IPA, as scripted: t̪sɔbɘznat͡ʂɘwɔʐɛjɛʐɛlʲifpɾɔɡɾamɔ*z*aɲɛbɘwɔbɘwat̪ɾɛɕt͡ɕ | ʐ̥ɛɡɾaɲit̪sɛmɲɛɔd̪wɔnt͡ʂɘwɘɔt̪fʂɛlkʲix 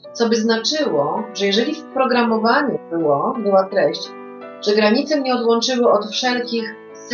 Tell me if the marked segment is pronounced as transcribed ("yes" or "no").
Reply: no